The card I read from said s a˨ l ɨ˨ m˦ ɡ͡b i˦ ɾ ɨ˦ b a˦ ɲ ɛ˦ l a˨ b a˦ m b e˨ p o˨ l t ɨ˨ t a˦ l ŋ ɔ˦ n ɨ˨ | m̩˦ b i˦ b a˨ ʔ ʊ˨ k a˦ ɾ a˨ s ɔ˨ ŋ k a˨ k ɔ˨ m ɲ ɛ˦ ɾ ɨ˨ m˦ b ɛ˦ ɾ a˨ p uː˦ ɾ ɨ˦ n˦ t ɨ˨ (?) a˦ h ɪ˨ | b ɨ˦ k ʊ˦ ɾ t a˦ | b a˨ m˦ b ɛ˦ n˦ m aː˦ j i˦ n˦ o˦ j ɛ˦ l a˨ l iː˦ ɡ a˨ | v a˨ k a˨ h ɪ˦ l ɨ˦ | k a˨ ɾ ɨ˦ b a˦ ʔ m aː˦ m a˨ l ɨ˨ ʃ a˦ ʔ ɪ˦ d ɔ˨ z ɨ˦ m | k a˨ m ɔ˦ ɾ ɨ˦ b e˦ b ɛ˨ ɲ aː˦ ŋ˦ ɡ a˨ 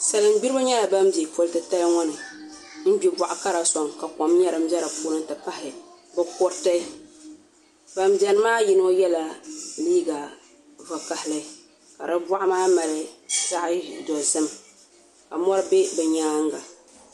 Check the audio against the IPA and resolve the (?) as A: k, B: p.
B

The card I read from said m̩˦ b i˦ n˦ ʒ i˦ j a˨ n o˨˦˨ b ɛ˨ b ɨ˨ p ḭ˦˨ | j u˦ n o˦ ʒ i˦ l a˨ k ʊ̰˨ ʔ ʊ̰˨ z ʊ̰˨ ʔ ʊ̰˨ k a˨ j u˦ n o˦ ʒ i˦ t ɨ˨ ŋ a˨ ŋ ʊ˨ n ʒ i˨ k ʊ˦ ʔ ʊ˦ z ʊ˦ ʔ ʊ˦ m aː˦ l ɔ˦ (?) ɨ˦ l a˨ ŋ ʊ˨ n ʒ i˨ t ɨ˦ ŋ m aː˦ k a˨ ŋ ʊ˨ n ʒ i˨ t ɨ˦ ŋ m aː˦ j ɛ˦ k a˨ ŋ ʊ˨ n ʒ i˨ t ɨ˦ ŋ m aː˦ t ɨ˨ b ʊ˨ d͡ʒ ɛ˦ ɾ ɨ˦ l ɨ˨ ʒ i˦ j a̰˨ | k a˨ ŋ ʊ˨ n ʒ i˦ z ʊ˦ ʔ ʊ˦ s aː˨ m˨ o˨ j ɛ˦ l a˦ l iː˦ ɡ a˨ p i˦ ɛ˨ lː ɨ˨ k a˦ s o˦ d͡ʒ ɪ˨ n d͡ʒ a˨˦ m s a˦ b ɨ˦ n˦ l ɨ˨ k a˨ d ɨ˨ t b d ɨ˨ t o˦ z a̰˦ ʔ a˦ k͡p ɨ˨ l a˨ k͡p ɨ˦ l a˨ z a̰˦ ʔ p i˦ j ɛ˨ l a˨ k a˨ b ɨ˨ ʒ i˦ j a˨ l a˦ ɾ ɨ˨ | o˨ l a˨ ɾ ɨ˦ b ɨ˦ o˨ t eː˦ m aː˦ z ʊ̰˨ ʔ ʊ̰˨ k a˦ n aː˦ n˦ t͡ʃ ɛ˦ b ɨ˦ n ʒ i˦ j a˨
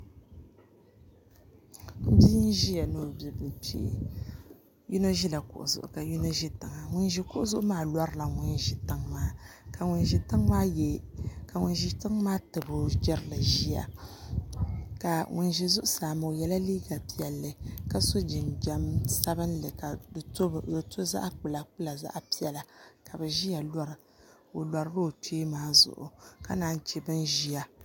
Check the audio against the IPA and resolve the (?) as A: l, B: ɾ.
B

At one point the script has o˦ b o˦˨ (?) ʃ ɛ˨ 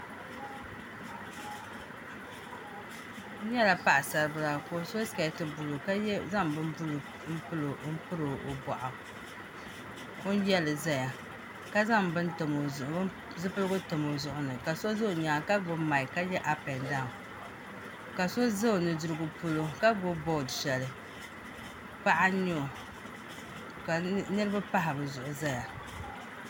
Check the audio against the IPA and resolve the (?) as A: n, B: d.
B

